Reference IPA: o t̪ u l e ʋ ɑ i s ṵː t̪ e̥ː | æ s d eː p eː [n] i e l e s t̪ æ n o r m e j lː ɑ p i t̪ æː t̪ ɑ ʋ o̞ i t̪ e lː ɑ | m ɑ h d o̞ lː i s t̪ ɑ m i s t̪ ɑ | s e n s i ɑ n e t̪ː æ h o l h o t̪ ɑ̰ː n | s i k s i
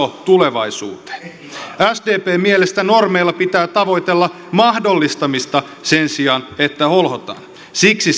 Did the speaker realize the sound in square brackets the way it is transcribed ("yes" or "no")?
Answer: no